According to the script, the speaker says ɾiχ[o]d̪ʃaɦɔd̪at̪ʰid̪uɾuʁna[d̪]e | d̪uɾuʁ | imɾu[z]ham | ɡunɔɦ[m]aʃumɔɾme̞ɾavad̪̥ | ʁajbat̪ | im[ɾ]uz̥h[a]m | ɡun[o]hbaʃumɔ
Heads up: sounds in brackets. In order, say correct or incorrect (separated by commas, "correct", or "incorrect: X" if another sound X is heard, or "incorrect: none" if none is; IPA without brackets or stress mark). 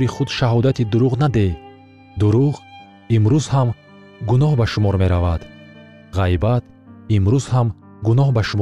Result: incorrect: u, correct, correct, incorrect: b, correct, correct, incorrect: ɔ